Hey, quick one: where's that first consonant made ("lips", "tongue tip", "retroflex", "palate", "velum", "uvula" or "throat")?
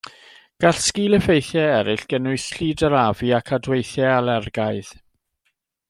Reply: velum